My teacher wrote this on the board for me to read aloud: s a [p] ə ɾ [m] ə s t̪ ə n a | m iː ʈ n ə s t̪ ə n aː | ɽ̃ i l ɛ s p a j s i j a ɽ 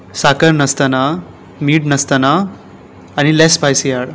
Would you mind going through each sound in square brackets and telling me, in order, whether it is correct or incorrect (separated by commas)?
incorrect, incorrect